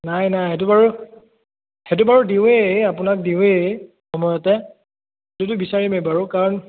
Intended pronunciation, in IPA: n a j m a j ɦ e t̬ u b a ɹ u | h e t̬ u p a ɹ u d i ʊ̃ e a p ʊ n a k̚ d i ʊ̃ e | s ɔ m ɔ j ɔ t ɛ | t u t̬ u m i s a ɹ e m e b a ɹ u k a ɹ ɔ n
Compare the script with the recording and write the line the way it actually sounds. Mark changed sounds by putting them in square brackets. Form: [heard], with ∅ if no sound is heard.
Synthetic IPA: n a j [n] a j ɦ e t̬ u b a ɹ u | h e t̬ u [b] a ɹ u d i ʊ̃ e a p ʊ n a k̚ d i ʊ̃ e | [x] ɔ m ɔ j ɔ t ɛ | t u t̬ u [b] i s a ɹ [i] m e b a ɹ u k a ɹ ɔ n